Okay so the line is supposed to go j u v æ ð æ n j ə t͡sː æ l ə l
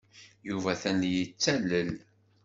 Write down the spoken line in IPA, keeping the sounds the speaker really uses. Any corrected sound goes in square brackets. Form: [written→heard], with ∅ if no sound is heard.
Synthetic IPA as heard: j u v æ [ð→θ] æ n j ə t͡sː æ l ə l